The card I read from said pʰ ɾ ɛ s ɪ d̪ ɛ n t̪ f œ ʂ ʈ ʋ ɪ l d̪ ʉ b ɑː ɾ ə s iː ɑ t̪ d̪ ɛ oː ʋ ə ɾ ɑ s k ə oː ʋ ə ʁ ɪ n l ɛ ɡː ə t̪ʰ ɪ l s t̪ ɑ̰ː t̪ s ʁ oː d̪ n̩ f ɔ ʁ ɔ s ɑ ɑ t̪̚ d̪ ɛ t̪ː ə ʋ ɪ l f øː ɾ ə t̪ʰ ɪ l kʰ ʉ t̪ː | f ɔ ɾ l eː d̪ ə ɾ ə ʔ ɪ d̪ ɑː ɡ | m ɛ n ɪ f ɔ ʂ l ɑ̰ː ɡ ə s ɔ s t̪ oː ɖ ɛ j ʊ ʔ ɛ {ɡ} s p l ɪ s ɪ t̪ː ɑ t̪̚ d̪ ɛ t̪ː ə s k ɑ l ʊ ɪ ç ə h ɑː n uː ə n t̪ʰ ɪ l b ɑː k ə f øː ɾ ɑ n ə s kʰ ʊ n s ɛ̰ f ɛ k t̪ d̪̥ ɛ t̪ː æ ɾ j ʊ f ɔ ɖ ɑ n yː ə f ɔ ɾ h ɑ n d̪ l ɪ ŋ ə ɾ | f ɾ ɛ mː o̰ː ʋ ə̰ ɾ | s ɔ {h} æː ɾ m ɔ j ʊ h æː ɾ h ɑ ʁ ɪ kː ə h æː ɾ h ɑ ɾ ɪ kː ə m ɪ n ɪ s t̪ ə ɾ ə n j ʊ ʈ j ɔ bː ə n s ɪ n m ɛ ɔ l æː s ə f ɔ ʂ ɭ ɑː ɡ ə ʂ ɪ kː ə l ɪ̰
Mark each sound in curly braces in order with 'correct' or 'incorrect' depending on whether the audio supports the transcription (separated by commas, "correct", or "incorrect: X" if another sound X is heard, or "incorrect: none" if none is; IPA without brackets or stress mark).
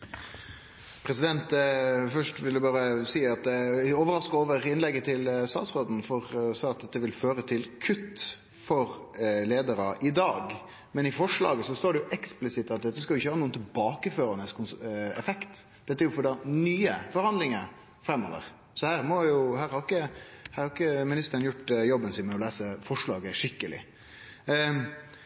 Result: incorrect: k, correct